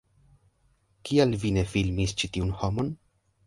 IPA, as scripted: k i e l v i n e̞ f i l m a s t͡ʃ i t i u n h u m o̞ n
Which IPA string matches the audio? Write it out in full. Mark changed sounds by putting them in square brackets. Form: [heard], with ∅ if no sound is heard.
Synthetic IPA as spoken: k i [a] l v i n e̞ f i l m [i] s t͡ʃ i t i u n h [o] m o̞ n